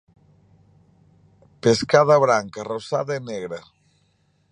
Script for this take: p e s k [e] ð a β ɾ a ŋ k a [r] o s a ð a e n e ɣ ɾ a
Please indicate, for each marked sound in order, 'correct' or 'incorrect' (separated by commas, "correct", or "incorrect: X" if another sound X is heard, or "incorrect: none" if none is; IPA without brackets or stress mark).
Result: incorrect: a, correct